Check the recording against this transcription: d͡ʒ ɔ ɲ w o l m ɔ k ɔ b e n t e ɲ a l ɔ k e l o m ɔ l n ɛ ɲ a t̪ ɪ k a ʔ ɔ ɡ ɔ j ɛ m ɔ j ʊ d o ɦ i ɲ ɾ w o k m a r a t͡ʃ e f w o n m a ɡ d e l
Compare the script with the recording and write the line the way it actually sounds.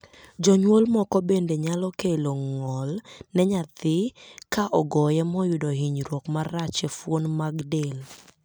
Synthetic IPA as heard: d͡ʒ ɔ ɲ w o l m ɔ k ɔ b e n d e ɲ a l ɔ k e l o ŋ ɔ l n ɛ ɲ a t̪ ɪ k a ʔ ɔ ɡ ɔ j ɛ m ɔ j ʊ d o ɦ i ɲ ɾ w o k m a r a t͡ʃ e f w o n m a ɡ d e l